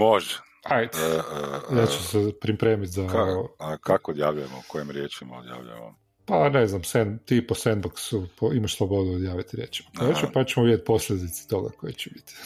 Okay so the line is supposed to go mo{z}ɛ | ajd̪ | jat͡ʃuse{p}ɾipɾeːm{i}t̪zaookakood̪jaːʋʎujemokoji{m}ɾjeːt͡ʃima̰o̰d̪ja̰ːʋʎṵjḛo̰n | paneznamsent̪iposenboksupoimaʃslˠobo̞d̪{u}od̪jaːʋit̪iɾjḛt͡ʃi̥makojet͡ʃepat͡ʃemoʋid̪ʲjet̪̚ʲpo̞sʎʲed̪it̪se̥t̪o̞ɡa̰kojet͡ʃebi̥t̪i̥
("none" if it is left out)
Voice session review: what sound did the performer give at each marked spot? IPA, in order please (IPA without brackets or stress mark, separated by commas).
ʒ, p, i, m, u